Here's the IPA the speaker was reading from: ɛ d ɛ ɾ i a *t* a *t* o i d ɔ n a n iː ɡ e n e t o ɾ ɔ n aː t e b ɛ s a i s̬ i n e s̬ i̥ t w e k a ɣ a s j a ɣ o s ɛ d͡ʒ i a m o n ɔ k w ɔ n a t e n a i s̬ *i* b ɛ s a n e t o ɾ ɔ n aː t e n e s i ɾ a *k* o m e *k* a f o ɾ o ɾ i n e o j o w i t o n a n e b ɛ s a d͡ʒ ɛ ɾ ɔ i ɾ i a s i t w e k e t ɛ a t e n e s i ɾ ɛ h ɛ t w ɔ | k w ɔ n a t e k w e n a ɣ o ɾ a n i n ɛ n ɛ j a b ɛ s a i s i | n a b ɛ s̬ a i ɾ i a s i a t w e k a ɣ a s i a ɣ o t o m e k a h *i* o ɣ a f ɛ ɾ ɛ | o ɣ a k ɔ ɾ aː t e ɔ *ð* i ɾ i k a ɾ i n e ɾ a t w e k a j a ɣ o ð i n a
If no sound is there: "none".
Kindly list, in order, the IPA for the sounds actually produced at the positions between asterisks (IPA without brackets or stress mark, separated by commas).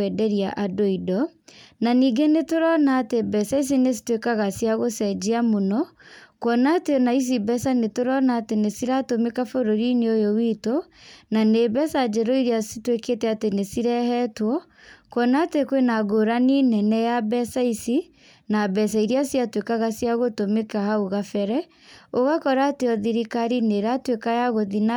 ʔ, d, i, t, k, a, ð